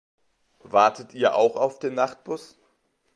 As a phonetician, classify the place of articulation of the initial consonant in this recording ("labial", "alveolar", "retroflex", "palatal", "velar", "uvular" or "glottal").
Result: labial